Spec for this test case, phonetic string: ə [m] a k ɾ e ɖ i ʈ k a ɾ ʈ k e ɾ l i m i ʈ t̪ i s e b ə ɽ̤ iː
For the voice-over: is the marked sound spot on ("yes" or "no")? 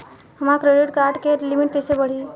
yes